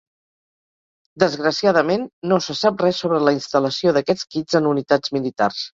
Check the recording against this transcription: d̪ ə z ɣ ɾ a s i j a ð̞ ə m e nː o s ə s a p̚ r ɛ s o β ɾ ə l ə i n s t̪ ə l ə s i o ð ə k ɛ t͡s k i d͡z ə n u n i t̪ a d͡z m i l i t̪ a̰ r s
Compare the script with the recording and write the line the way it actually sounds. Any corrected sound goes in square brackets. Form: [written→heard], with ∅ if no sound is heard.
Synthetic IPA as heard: d̪ ə z ɣ ɾ [a→ə] s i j a ð̞ ə m e nː o s ə s a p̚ r ɛ s o β ɾ ə l ə i n s t̪ ə l ə s i o ð ə k ɛ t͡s k i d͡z ə n u n i t̪ a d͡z m i l i t̪ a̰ r s

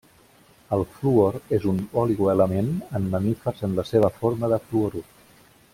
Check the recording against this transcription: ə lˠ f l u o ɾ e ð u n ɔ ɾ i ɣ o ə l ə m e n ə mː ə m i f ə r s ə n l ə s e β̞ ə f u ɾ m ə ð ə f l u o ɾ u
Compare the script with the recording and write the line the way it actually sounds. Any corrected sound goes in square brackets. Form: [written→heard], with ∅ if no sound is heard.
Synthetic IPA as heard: ə lˠ f l u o ɾ e [ð→z] u n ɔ [ɾ→l] i ɣ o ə l ə m e n ə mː ə m i f ə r [s→z] ə n l ə s e β̞ ə f [u→o] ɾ m ə ð ə f l u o ɾ u

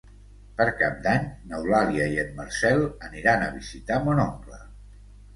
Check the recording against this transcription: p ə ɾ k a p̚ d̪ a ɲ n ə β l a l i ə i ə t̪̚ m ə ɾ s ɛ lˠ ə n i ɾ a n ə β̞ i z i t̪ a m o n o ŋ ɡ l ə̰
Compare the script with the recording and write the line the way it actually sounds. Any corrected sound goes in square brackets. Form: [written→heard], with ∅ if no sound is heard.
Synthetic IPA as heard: p ə ɾ k a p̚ d̪ a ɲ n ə [β→w] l a l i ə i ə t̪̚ m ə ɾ s ɛ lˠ ə n i ɾ a n ə β̞ i z i t̪ a m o n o ŋ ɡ l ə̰

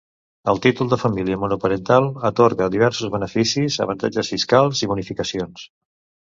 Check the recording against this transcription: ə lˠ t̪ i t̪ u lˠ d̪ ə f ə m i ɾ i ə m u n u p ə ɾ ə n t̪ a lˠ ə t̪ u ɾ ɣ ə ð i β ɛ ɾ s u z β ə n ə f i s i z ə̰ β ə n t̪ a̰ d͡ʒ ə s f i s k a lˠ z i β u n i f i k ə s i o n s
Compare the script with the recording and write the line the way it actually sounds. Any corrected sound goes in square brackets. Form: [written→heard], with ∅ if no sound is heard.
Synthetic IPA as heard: ə lˠ t̪ i t̪ u lˠ d̪ ə f ə m i [ɾ→l] i ə m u n u p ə ɾ ə n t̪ a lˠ ə t̪ [u→o] ɾ ɣ ə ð i β ɛ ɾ s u z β ə n ə f i s i z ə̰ β ə n t̪ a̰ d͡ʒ ə s f i s k a lˠ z i β u n i f i k ə s i o n s

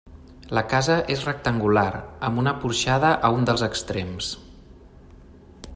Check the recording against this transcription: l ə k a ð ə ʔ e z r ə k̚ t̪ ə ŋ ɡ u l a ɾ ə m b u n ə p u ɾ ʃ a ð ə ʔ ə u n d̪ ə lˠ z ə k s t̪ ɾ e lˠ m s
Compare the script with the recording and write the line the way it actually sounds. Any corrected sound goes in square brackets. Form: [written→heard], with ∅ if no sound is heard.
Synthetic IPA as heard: l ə k a [ð→z] ə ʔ e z r ə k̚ t̪ ə ŋ ɡ u l a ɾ ə m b u n ə p u ɾ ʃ a ð ə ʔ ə u n d̪ ə lˠ z ə k s t̪ ɾ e [lˠ→∅] m s

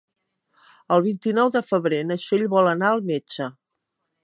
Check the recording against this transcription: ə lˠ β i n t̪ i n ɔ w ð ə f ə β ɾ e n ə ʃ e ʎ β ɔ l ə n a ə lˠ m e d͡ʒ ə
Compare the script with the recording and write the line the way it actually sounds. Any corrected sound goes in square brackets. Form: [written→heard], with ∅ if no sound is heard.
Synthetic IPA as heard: ə lˠ β i n t̪ i n ɔ w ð ə f ə β ɾ e n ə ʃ e ʎ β ɔ l ə n a ə lˠ m e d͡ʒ ə

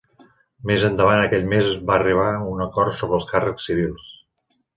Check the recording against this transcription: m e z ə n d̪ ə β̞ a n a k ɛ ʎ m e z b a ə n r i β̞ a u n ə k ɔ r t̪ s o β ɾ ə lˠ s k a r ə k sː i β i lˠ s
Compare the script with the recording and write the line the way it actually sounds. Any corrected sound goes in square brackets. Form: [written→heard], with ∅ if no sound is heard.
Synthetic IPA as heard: m e z ə n d̪ ə β̞ a n [a→ə] k ɛ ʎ m e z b a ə [n→∅] r i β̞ a u n ə k ɔ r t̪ s o β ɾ ə lˠ s k a r ə k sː i β i lˠ s

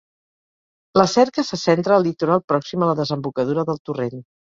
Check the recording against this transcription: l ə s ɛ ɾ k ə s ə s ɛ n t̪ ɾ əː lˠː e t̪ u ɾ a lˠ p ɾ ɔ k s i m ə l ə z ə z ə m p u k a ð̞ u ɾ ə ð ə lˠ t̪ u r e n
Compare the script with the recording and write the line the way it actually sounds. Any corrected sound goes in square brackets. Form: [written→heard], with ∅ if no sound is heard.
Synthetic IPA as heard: l ə s ɛ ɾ k ə s ə s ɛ n t̪ ɾ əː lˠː [e→i] t̪ u ɾ a lˠ p ɾ ɔ k s i m ə l ə [z→ð] ə z ə m [p→b] u k [a→ə] ð̞ u ɾ ə ð ə lˠ t̪ u r e n

